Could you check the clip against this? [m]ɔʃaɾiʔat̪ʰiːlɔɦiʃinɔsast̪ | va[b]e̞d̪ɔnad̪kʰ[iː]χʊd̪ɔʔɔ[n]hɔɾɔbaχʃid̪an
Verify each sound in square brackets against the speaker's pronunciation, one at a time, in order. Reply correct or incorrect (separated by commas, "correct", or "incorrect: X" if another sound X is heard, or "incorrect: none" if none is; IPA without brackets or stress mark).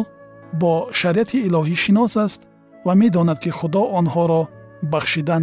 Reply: incorrect: b, incorrect: m, incorrect: i, correct